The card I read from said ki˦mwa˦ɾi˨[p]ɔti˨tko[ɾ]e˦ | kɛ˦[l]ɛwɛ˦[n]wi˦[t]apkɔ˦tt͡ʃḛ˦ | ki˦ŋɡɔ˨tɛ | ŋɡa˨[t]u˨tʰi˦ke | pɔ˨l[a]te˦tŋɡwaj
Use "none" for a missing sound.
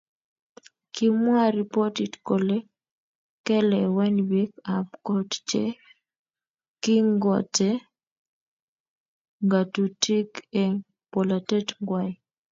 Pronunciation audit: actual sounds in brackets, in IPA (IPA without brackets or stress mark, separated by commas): p, l, l, n, k, t, a